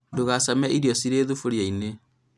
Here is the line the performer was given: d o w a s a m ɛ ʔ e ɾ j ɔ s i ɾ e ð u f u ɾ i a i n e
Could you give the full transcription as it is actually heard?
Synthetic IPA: d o ɣ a s a m ɛ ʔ i ɾ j ɔ s i ɾ e ð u f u ɾ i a i n e